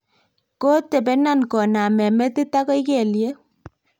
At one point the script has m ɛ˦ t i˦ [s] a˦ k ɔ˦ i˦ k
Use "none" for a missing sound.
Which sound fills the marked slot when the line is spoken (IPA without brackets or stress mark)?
t